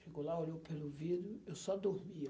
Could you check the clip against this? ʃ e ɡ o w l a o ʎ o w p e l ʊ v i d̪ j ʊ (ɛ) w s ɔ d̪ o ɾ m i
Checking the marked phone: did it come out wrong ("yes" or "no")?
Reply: yes